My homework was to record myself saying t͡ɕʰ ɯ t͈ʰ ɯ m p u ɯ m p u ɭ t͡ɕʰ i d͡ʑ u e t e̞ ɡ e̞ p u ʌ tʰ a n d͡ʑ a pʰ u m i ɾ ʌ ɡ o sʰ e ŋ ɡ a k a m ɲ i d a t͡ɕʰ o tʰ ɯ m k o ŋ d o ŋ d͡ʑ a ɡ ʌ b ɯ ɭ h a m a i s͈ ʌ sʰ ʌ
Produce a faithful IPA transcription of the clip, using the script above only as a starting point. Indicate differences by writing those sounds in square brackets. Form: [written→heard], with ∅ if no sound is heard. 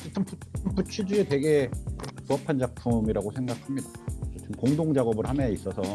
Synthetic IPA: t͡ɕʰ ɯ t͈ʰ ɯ m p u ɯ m p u [ɭ→∅] t͡ɕʰ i d͡ʑ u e t e̞ ɡ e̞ p u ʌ [tʰ→pʰ] a n d͡ʑ a pʰ u m i ɾ [ʌ→a] ɡ o sʰ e ŋ ɡ a [k→kʰ] a m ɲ i d a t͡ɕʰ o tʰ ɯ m k o ŋ d o ŋ d͡ʑ a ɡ ʌ b ɯ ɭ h a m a i s͈ ʌ sʰ ʌ